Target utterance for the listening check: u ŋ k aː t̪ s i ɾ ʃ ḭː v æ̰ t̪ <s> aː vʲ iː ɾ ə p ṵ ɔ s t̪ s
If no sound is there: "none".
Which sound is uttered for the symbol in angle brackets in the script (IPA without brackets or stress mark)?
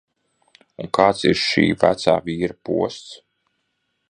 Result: s